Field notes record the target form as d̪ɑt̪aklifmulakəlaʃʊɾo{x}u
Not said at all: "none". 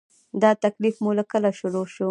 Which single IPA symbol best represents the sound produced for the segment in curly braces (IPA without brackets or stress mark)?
ʃ